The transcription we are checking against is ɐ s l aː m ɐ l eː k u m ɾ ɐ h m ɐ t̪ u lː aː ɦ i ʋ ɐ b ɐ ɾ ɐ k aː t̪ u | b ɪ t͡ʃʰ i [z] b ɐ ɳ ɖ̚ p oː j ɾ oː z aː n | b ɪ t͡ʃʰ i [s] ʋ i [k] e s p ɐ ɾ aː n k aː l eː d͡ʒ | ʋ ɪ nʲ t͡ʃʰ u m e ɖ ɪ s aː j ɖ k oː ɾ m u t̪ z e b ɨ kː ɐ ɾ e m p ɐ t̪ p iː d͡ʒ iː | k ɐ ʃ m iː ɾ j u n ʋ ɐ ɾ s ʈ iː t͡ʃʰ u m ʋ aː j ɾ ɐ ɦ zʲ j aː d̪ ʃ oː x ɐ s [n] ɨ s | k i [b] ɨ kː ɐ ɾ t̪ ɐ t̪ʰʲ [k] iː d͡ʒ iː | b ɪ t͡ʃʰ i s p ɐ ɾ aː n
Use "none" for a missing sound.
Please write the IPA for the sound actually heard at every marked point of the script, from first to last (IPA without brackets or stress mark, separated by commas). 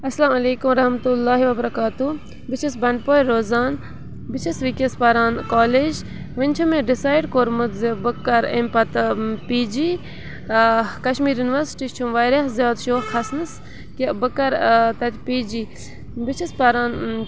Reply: s, s, k, n, b, p